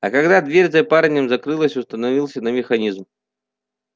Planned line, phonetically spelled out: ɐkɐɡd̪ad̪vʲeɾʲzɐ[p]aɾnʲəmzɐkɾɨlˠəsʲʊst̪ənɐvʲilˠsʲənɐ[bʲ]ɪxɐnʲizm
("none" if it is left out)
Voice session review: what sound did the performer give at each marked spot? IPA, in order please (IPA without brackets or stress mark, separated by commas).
p, mʲ